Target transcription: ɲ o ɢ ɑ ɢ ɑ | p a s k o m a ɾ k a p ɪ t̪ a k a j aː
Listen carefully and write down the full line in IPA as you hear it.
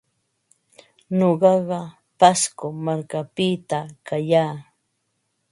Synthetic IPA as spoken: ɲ o ɢ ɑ ɢ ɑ | p a s k o m a ɾ k a p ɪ t̪ a k a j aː